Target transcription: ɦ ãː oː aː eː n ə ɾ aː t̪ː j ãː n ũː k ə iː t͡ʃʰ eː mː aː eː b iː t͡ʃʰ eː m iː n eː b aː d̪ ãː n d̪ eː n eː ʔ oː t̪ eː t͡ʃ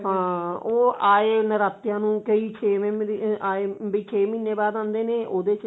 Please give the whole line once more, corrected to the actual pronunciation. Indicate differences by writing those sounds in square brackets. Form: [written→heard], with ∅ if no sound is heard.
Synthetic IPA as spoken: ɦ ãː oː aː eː n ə ɾ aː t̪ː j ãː n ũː k ə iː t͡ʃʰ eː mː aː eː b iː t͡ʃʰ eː m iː n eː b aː d̪ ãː n d̪ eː n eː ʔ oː [t̪→d̪] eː t͡ʃ